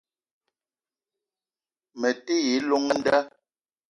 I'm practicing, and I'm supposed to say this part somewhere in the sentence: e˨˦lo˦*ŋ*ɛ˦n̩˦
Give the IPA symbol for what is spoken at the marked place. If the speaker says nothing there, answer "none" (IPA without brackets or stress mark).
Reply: ŋ